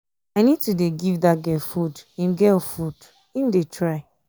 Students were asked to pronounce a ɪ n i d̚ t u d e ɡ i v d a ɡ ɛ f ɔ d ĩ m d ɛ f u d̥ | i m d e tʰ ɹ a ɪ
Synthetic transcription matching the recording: a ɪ n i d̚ t u d e ɡ i v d a ɡ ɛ f u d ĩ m ɡ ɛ f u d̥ | i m d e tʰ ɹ a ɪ